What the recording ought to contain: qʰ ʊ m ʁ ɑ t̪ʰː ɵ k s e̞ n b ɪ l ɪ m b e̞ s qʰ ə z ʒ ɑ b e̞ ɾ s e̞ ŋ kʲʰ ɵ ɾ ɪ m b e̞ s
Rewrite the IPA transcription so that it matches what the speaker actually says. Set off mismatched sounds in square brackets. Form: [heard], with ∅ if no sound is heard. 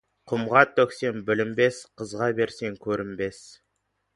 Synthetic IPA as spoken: qʰ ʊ m ʁ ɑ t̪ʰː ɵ k s e̞ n b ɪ l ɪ m b e̞ s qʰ ə z [ʁ] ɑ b e̞ ɾ s e̞ ŋ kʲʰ ɵ ɾ ɪ m b e̞ s

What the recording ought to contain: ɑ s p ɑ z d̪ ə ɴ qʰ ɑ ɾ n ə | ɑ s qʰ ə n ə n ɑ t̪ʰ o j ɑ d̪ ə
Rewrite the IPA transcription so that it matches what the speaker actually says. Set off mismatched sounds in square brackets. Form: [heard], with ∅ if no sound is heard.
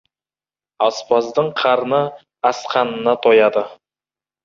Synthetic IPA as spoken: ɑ s p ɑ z d̪ ə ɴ qʰ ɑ ɾ n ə | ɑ s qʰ [ɑ] n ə n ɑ t̪ʰ o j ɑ d̪ ə

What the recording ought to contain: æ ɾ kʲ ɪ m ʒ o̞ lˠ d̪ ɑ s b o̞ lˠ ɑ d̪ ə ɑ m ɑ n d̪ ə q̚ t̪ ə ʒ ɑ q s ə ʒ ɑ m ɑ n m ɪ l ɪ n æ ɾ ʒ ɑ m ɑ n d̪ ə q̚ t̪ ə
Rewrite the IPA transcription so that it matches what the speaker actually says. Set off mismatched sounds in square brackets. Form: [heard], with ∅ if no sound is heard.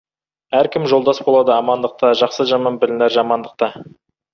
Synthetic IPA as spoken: æ ɾ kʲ ɪ m ʒ o̞ lˠ d̪ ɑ s b o̞ lˠ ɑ d̪ ə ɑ m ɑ n d̪ ə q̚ t̪ [ɑ] ʒ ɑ q s ə ʒ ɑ m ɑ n [b] ɪ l ɪ n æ ɾ ʒ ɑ m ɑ n d̪ ə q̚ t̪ [ɑ]

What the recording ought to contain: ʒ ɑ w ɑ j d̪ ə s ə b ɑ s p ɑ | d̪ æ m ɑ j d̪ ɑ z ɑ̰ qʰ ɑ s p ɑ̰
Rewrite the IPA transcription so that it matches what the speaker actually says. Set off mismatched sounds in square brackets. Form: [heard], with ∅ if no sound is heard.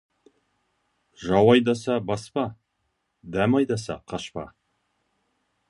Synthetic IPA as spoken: ʒ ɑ w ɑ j d̪ [ɑ] s [ɑ] b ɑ s p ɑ | d̪ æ m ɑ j d̪ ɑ [s] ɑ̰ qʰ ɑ [ʃ] p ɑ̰

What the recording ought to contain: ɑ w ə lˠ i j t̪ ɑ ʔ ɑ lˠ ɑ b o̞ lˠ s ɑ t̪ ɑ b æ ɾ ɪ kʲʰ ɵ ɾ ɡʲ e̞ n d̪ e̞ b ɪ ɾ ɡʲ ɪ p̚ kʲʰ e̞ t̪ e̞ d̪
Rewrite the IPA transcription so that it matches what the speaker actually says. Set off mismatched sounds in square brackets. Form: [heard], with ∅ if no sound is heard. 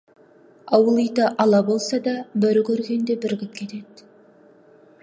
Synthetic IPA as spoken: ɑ w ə lˠ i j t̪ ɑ ʔ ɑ lˠ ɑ b o̞ lˠ s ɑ [d̪] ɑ b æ ɾ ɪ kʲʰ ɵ ɾ ɡʲ e̞ n d̪ e̞ b ɪ ɾ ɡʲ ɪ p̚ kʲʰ e̞ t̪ e̞ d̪

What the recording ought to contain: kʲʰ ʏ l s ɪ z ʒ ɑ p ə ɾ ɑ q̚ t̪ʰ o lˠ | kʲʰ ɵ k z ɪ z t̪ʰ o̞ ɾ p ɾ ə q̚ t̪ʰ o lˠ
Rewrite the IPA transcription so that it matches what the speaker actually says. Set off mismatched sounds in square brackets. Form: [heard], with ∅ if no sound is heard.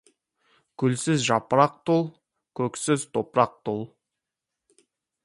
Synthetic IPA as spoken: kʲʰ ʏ l s ɪ z ʒ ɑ p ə ɾ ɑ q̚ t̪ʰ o lˠ | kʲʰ ɵ k [s] ɪ z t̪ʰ o̞ [∅] p ɾ [ɑ] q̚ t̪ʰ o lˠ

